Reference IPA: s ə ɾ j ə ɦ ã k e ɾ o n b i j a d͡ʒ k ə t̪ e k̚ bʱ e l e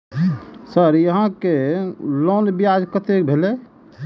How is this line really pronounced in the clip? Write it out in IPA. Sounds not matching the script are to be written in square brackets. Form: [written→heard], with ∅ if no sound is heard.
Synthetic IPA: s ə ɾ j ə ɦ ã k e [ɾ→l] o n b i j a d͡ʒ k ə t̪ e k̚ bʱ e l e